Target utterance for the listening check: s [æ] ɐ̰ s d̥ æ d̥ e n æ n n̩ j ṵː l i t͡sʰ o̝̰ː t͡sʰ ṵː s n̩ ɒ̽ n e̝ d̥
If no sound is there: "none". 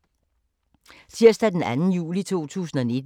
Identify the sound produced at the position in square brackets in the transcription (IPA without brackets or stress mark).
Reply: i